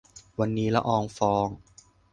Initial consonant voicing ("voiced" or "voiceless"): voiced